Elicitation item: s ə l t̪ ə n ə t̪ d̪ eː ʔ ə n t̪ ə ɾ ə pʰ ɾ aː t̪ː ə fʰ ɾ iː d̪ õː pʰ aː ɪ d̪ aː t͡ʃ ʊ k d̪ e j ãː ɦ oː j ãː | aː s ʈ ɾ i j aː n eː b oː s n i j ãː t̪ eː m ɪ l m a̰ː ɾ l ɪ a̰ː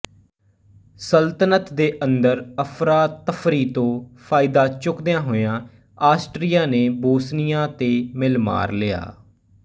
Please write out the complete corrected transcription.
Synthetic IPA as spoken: s ə l t̪ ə n ə t̪ d̪ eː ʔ ə n d̪ ə ɾ ə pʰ ɾ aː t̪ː ə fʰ ɾ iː t̪ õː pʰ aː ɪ d̪ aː t͡ʃ ʊ k d̪ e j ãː ɦ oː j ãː | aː s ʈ ɾ i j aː n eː b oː s n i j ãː t̪ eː m ɪ l m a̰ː ɾ l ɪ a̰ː